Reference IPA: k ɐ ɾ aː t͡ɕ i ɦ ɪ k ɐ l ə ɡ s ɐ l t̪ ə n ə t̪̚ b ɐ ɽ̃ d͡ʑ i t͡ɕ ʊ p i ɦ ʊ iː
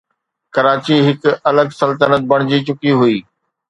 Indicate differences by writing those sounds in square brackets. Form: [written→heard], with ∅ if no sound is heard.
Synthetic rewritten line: k ɐ ɾ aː t͡ɕ i ɦ ɪ k ɐ l ə ɡ s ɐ l t̪ ə n ə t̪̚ b ɐ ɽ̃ d͡ʑ i t͡ɕ ʊ [p→k] i ɦ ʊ iː